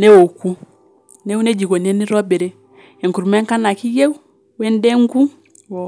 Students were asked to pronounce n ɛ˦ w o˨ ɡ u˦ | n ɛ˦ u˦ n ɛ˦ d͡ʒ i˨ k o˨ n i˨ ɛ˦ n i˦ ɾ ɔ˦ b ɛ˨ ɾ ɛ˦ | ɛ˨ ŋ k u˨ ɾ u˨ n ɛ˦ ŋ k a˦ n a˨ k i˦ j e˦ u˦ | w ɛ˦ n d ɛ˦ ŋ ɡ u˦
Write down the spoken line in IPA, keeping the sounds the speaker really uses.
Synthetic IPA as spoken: n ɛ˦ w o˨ k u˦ | n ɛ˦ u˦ n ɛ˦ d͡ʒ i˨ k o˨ n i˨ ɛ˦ n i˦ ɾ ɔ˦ b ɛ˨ ɾ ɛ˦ | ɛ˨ ŋ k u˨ ɾ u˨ m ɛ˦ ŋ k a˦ n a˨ k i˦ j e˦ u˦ | w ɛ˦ n d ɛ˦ ŋ ɡ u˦

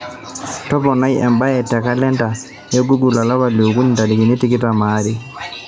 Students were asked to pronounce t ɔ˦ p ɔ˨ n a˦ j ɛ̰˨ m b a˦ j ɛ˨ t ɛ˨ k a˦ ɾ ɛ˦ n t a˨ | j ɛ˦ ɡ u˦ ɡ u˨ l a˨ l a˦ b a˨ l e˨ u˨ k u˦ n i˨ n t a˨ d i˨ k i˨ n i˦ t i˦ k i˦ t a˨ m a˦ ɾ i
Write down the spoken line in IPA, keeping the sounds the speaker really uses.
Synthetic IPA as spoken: t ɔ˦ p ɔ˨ n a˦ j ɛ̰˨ m b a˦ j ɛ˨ t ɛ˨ k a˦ l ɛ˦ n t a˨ | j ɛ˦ ɡ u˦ ɡ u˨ l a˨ l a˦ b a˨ l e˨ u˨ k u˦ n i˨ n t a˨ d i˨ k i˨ n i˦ t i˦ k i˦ t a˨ m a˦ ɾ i

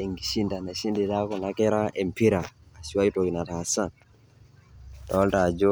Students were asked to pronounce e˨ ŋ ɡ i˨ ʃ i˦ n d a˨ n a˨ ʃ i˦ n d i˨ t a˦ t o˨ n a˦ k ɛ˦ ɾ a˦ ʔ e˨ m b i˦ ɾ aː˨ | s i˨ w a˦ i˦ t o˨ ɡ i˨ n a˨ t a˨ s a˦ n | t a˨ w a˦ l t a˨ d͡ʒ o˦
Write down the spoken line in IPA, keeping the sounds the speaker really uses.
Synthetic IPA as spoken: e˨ ŋ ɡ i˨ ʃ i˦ n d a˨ n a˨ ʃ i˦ n d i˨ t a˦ k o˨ n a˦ k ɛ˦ ɾ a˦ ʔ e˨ m p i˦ ɾ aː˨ | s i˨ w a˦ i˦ t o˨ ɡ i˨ n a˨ t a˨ s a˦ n | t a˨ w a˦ l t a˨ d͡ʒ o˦

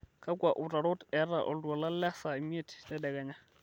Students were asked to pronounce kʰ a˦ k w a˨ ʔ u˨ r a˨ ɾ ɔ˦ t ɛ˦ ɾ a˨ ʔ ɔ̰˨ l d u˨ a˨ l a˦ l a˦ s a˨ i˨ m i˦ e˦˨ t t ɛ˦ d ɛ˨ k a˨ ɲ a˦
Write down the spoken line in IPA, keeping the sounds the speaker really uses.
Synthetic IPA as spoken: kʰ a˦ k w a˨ ʔ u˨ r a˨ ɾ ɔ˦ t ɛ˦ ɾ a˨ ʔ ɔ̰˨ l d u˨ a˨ l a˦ l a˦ s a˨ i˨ m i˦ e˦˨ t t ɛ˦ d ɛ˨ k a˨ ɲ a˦

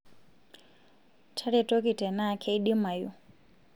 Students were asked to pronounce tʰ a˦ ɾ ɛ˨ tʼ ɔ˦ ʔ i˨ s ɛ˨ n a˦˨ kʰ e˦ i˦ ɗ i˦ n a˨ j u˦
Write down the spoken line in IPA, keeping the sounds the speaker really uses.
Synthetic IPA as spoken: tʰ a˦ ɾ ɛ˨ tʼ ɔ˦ k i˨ t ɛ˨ n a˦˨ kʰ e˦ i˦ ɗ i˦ m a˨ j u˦

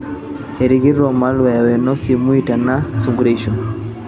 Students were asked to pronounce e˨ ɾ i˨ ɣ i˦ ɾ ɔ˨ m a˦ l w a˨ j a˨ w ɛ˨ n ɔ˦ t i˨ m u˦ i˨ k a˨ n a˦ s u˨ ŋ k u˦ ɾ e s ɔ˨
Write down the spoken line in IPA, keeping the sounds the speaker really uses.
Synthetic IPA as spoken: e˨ ɾ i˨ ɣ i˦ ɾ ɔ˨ m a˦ l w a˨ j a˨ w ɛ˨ n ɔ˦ s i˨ m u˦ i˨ t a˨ n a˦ s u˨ ŋ ɡ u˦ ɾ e ʃ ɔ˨

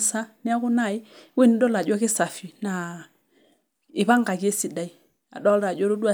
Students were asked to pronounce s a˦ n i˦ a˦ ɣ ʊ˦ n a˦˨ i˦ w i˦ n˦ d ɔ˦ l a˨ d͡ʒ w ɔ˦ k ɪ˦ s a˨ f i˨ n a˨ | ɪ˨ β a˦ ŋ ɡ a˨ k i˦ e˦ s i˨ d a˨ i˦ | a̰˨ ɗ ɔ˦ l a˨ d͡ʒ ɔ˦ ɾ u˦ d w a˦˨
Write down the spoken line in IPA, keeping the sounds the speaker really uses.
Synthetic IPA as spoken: s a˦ n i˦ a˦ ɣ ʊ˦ n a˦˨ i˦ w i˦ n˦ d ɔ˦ l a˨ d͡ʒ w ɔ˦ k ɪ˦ s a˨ f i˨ n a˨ | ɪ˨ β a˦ ŋ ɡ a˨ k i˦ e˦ s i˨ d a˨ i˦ | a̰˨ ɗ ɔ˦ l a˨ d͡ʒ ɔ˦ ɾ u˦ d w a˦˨

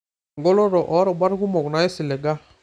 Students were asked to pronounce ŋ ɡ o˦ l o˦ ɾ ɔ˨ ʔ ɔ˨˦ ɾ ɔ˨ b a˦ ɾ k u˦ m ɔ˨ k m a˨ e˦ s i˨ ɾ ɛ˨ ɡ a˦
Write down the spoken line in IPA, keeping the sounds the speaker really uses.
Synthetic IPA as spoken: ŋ ɡ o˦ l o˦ ɾ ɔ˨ ʔ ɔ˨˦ ɾ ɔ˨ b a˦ ɾ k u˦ m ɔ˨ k n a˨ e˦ s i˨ l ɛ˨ ɡ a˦

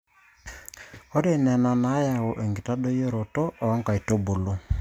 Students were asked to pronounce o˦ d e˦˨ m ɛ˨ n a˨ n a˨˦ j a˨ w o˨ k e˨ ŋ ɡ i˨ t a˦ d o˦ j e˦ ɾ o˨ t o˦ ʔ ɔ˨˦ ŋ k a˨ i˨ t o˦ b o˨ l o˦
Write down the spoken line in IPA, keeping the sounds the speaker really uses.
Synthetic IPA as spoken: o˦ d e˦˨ n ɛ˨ n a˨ n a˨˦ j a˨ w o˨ ʔ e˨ ŋ ɡ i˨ t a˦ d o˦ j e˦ ɾ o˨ t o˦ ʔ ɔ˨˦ ŋ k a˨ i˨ t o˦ b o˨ l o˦

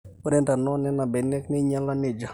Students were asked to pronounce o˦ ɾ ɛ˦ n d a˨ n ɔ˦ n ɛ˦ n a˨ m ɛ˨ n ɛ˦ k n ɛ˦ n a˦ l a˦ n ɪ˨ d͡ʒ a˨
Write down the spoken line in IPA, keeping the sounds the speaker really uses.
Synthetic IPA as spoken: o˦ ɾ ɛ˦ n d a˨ n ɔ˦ n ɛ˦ n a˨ b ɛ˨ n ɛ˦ k n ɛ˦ ɲ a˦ l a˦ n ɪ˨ d͡ʒ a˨

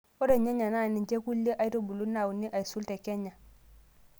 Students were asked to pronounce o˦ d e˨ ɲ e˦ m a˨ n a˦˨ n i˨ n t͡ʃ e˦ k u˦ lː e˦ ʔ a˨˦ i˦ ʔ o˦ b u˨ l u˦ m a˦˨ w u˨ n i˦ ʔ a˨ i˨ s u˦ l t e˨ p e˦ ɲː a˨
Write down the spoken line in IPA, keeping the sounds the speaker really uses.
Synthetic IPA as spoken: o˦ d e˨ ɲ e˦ ɲ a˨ n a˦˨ n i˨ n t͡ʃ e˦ k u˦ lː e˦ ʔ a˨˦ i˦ t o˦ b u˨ l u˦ n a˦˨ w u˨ n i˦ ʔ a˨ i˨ s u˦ l t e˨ k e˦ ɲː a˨

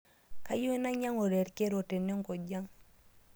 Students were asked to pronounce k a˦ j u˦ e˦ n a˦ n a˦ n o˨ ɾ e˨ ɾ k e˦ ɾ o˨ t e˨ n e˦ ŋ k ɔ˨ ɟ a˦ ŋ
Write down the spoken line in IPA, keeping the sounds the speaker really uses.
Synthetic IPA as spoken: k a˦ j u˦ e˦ n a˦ ɲ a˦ ŋ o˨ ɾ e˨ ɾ k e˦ ɾ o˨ t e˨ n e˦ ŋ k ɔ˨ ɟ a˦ ŋ

